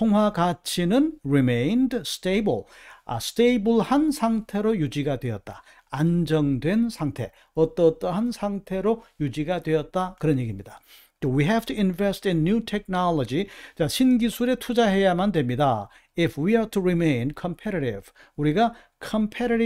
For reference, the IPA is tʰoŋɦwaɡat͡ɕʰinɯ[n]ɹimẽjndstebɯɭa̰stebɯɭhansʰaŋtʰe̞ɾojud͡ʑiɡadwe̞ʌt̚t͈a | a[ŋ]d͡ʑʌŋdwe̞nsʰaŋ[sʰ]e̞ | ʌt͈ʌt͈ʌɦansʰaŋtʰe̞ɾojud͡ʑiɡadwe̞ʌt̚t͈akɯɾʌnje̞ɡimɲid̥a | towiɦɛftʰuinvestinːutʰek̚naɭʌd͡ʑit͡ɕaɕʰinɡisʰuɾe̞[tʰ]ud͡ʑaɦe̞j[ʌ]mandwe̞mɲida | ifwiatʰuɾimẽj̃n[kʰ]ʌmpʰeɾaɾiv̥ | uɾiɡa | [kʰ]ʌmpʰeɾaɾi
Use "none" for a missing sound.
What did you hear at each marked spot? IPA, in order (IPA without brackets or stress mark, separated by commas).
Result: n, n, tʰ, tʰ, a, kʰ, kʰ